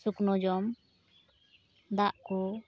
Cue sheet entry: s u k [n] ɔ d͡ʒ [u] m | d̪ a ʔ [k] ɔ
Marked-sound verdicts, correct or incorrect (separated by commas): correct, incorrect, correct